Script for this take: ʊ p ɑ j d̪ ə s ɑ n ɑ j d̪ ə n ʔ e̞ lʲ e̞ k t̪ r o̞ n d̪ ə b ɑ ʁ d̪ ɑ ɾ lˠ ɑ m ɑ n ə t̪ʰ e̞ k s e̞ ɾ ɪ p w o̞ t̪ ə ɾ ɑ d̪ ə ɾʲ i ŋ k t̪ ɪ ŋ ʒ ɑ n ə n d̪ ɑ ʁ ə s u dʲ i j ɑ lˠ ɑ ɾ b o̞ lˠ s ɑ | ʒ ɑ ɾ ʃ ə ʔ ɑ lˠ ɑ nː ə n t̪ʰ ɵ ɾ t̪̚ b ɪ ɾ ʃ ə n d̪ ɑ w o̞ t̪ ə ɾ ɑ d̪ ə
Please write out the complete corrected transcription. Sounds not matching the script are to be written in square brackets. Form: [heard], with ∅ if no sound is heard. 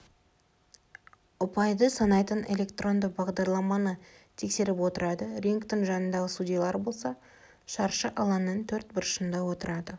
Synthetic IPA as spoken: ʊ p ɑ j d̪ ə s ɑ n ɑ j [t̪] ə n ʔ e̞ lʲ e̞ k t̪ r o̞ n d̪ ə b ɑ ʁ d̪ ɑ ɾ lˠ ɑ m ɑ n ə t̪ʰ e̞ k s e̞ ɾ ɪ p w o̞ t̪ ə ɾ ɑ d̪ ə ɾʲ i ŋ k t̪ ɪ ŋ ʒ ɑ n ə n d̪ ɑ ʁ ə s u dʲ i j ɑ lˠ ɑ ɾ b o̞ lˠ s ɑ | [ʃ] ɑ ɾ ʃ ə ʔ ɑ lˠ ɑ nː ə n t̪ʰ ɵ ɾ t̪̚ b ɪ ɾ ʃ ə n d̪ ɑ w o̞ t̪ ə ɾ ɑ d̪ ə

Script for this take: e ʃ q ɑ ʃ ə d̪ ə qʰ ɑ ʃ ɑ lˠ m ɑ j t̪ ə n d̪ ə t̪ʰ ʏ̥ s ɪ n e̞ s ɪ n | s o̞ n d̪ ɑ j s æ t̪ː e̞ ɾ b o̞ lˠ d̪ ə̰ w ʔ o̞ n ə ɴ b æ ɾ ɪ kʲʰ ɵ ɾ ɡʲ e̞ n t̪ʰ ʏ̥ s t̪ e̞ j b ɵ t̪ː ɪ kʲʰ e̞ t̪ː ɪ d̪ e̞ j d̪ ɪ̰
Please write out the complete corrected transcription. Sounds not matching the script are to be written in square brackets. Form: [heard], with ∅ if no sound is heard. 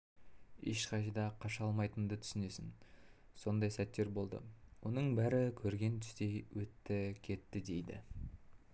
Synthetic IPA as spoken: e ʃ q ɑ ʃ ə d̪ [ɑ] qʰ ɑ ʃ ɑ lˠ m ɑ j t̪ ə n d̪ ə t̪ʰ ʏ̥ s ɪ n e̞ s ɪ n | s o̞ n d̪ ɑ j s æ t̪ː e̞ ɾ b o̞ lˠ d̪ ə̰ w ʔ o̞ n ə ɴ b æ ɾ ɪ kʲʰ ɵ ɾ ɡʲ e̞ n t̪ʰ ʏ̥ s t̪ e̞ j [w] ɵ t̪ː ɪ kʲʰ e̞ t̪ː ɪ d̪ e̞ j d̪ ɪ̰

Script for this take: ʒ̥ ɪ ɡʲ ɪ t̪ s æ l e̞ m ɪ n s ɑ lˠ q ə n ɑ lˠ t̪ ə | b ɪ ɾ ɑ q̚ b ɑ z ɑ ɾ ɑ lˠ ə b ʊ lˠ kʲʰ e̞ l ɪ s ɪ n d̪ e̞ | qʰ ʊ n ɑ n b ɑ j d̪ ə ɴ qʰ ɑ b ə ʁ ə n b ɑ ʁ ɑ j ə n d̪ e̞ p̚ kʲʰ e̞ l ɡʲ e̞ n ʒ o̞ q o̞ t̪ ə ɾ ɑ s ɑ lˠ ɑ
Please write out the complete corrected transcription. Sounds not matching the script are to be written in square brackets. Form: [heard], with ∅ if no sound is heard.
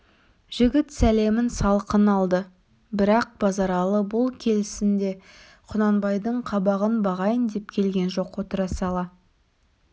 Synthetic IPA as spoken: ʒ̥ ɪ ɡʲ ɪ t̪ s æ l e̞ m ɪ n s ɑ lˠ q ə n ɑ lˠ [d̪] ə | b ɪ ɾ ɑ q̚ b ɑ z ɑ ɾ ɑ lˠ ə b ʊ lˠ kʲʰ e̞ l ɪ s ɪ n d̪ e̞ | qʰ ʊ n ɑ n b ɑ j d̪ ə ɴ qʰ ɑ b [ɑ] ʁ ə n b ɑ ʁ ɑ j ə n d̪ e̞ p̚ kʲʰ e̞ l ɡʲ e̞ n ʒ o̞ q o̞ t̪ ə ɾ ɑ s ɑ lˠ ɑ

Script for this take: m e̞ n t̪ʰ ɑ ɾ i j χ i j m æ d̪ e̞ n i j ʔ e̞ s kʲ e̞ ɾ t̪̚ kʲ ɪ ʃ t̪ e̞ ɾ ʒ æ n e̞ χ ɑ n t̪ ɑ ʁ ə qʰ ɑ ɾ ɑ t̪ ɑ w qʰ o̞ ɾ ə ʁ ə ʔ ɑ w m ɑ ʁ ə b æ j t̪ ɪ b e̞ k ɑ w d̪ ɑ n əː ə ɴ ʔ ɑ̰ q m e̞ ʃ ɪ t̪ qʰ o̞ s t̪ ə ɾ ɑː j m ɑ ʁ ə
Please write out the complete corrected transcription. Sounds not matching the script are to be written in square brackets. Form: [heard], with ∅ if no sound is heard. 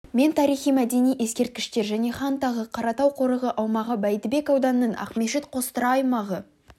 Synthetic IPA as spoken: m e̞ n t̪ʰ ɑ ɾ i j χ i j m æ d̪ e̞ n i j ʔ e̞ s kʲ e̞ ɾ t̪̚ kʲ ɪ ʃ t̪ e̞ ɾ ʒ æ n e̞ χ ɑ n t̪ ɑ ʁ ə qʰ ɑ ɾ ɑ t̪ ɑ w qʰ o̞ ɾ ə ʁ ə ʔ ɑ w m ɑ ʁ ə b æ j t̪ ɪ b e̞ k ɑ w d̪ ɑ n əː ə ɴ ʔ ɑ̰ q m e̞ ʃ ɪ t̪ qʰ o̞ s t̪ ə ɾ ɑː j m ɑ ʁ ə

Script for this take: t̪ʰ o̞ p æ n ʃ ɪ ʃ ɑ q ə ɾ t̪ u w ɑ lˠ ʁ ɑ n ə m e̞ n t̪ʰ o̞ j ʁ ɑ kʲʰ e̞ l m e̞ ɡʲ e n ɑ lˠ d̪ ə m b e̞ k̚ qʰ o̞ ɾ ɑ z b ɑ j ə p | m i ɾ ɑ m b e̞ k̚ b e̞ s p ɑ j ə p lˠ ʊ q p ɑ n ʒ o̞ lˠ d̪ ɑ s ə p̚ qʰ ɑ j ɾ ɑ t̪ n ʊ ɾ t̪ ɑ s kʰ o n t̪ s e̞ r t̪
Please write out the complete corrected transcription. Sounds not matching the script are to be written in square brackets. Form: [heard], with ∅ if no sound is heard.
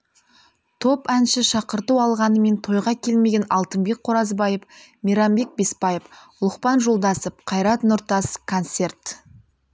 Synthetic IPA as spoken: t̪ʰ o̞ p æ n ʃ ɪ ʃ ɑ q ə ɾ t̪ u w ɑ lˠ ʁ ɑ n ə m e̞ n t̪ʰ o̞ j ʁ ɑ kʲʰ e̞ l m e̞ ɡʲ e n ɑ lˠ [t̪] ə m b e̞ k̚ qʰ o̞ ɾ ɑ z b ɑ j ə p | m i ɾ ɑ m b e̞ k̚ b e̞ s p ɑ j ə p lˠ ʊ q p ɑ n ʒ o̞ lˠ d̪ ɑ s ə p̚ qʰ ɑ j ɾ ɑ t̪ n ʊ ɾ t̪ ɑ s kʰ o n t̪ s e̞ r t̪

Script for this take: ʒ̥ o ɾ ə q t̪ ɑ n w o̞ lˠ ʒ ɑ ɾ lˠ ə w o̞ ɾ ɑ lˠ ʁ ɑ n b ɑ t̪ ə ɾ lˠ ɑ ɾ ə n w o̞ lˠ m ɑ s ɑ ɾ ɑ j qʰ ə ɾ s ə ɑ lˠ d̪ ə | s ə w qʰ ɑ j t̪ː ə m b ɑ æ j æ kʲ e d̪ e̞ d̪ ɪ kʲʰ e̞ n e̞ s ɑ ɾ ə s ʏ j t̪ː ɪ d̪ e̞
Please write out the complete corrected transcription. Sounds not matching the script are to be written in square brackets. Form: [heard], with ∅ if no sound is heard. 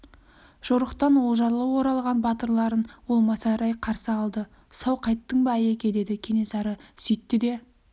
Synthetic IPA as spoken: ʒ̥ o ɾ ə q t̪ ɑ n w o̞ lˠ ʒ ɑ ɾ lˠ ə w o̞ ɾ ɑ lˠ ʁ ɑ n b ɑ t̪ ə ɾ lˠ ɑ ɾ ə n w o̞ lˠ m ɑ s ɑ ɾ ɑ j qʰ [ɑ] ɾ s ə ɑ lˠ d̪ ə | s [ɑ] w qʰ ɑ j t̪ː ə [ɴ] b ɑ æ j [e] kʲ e d̪ e̞ d̪ ɪ kʲʰ e̞ n e̞ s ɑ ɾ ə s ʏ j t̪ː ɪ d̪ e̞

